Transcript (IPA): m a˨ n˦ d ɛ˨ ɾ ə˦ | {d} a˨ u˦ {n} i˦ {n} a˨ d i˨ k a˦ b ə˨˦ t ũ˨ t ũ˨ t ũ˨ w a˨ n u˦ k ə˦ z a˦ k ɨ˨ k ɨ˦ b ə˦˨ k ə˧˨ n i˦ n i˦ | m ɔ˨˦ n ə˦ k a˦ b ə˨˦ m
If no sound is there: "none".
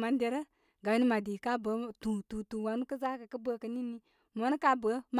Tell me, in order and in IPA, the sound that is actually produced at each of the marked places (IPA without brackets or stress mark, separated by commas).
ɡ, n, m